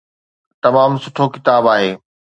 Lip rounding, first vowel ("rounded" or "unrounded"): unrounded